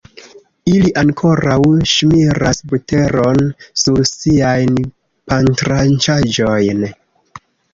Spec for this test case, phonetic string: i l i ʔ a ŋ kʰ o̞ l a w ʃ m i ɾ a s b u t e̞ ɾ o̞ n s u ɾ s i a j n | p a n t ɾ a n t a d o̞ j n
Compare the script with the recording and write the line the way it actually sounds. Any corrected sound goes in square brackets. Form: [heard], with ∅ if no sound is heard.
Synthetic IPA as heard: i l i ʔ a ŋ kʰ o̞ [ɾ] a w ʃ m i ɾ a s b u t e̞ ɾ o̞ n s u ɾ s i a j n | p a n t ɾ a n [t͡ʃ] a [d͡ʒ] o̞ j n